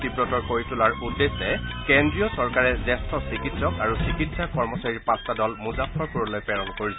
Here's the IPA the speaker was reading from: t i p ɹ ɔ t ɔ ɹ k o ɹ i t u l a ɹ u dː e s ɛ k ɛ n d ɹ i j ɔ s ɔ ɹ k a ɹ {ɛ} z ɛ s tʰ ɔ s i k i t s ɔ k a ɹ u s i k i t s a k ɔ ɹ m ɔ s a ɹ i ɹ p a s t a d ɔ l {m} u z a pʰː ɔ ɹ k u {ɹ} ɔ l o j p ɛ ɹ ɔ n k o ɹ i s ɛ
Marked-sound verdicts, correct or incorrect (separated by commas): correct, correct, correct